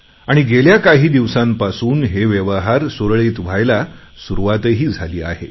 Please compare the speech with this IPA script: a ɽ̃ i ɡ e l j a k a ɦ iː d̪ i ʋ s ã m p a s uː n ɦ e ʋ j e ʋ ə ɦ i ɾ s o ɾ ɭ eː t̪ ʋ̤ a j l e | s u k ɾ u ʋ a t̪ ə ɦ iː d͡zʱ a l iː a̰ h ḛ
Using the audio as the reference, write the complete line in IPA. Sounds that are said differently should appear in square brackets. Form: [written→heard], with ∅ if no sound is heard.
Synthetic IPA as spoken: a ɽ̃ i ɡ e l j a k a ɦ iː d̪ i ʋ s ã m p a s uː n ɦ e ʋ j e ʋ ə ɦ [i→a] ɾ s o ɾ ɭ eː t̪ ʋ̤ a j l [e→a] | s u [k→∅] ɾ u ʋ a t̪ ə ɦ iː d͡zʱ a l iː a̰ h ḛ